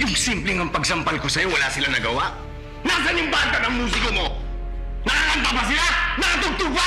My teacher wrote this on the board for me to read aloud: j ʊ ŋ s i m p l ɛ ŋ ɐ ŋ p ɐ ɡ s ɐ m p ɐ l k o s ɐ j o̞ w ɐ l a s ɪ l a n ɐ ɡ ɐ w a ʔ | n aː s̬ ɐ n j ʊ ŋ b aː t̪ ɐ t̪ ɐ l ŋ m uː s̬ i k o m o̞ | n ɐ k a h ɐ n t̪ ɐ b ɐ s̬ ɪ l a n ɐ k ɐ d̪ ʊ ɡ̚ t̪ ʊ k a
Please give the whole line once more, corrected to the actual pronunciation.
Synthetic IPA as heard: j ʊ ŋ s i m p l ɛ ŋ ɐ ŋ p ɐ ɡ s ɐ m p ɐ l k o s ɐ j o̞ w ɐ l a s ɪ l a n ɐ ɡ ɐ w a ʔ | n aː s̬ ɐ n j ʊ ŋ b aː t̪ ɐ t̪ ɐ ŋ m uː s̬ ɪ k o m o̞ | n ɐ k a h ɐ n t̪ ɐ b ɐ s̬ ɪ l a n ɐ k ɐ t̪ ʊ ɡ̚ t̪ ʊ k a